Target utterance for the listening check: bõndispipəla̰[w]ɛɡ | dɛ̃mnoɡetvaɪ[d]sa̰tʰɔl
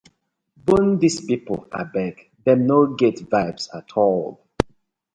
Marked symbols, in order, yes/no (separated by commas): no, no